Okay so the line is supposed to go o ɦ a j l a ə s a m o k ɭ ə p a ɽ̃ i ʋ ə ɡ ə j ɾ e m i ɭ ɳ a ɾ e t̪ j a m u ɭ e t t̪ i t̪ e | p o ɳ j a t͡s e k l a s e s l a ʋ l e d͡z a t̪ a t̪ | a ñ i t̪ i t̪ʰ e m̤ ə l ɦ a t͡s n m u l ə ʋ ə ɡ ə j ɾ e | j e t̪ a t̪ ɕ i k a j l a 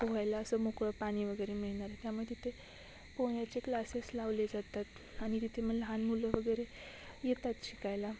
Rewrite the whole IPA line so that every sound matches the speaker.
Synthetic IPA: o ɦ a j l a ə s ə m o k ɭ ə p a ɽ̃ i ʋ ə ɡ ə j ɾ e m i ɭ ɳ a ɾ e t̪ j a m u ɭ e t t̪ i t̪ʰ e | p o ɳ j a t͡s e k l a s e s l a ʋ l e d͡z a t̪ a t̪ | a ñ i t̪ i t̪ʰ e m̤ ə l ɦ a n m u l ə ʋ ə ɡ ə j ɾ e | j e t̪ a t̪ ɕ i k a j l a